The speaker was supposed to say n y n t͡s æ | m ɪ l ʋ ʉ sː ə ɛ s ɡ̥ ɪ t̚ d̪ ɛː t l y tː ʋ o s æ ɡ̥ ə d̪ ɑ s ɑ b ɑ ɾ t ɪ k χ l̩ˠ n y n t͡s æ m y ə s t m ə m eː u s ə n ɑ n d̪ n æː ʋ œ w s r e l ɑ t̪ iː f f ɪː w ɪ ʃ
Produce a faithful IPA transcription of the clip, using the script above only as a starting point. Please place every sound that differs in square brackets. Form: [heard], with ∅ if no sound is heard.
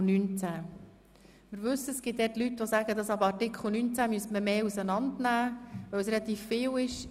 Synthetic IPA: n y n t͡s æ | m ɪ [ɾ] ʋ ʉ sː ə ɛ s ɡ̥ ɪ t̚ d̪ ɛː t l y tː ʋ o s æ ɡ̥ ə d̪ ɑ s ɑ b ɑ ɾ t ɪ k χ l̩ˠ n y n t͡s æ m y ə s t m ə m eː u s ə n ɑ n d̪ n æː ʋ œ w s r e l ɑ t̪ iː f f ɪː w ɪ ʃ